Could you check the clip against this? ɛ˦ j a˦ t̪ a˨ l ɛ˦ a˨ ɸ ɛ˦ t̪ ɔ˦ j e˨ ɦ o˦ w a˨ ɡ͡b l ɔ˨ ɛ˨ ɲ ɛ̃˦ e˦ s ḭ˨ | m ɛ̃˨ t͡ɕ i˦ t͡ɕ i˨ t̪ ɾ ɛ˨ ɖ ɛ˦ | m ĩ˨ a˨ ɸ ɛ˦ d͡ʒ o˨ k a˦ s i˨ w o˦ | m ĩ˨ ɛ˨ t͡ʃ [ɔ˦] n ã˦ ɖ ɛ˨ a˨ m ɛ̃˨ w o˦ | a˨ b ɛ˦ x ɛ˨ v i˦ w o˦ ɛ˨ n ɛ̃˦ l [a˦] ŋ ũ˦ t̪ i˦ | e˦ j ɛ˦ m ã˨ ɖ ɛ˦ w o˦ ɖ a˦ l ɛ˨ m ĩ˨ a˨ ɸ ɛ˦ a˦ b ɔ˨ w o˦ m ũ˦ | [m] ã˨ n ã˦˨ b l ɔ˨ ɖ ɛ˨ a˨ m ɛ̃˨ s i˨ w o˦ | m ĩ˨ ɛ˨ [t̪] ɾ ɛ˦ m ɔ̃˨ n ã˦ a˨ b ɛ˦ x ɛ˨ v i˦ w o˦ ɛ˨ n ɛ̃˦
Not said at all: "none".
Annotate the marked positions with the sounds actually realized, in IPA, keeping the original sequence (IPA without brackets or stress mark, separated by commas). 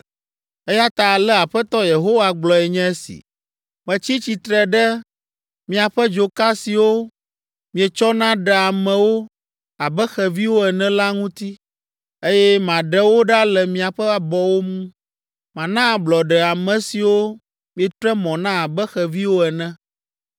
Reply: ɔ˦, a˦, m, t̪